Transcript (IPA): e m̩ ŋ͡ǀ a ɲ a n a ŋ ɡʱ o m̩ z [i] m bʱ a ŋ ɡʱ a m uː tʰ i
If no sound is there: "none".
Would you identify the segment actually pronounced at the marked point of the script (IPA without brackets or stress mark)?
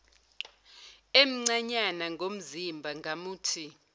i